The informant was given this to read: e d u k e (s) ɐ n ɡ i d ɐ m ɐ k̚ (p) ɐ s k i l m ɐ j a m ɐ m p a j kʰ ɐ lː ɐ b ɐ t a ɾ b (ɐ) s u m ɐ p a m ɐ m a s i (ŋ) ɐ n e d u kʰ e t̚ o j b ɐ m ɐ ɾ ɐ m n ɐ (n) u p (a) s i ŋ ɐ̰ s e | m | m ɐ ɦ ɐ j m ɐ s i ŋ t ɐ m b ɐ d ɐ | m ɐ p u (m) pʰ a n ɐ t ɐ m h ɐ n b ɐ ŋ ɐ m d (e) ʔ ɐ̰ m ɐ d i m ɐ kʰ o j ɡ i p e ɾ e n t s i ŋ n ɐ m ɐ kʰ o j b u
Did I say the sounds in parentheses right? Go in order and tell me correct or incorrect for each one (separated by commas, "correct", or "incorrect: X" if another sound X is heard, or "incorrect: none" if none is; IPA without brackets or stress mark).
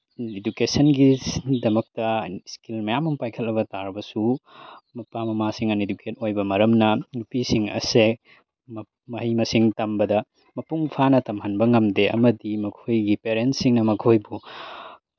correct, incorrect: t, correct, correct, correct, incorrect: i, incorrect: ŋ, correct